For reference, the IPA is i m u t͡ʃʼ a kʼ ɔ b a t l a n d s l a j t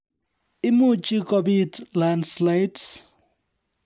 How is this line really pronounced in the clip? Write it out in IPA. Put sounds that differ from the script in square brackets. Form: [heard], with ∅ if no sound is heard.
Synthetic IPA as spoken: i m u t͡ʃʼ [i] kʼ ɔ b [i] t l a n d s l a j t